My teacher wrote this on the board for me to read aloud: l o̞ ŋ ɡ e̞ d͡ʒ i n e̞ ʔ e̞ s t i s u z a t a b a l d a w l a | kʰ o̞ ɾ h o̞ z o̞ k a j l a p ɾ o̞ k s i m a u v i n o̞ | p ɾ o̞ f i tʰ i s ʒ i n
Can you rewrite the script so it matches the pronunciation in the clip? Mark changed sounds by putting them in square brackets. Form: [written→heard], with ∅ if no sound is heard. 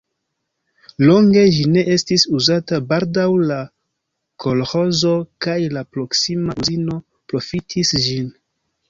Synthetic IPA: l o̞ ŋ ɡ e̞ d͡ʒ i n e̞ ʔ e̞ s t i s u z a t a b a l d a w l a | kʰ o̞ [ɾ→l] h o̞ z o̞ k a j l a p ɾ o̞ k s i m a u [v→z] i n o̞ | p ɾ o̞ f i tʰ i s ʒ i n